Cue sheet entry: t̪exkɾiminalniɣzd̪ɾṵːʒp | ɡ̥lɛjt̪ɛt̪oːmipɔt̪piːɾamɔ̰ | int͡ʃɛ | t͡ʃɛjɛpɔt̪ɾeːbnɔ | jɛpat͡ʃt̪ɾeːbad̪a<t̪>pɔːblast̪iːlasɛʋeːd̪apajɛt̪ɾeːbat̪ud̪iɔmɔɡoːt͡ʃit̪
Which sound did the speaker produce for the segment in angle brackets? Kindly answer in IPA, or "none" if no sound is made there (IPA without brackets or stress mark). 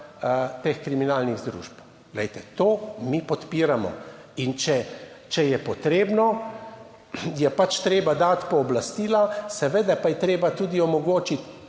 t̪